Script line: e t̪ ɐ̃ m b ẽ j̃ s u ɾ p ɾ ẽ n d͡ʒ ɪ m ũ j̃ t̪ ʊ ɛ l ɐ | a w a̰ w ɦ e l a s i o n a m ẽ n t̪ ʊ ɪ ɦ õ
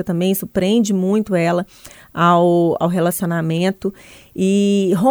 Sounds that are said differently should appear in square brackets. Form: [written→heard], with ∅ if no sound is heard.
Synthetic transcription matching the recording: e t̪ ɐ̃ m b ẽ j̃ s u ɾ p ɾ ẽ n d͡ʒ ɪ m ũ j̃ t̪ ʊ ɛ l ɐ | a w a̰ w ɦ e l a s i o n a m ẽ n t̪ ʊ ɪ ɦ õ